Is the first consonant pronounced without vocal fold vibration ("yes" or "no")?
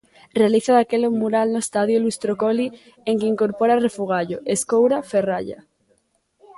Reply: no